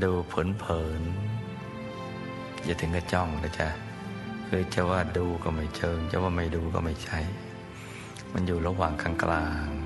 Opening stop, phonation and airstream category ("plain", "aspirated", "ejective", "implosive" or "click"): plain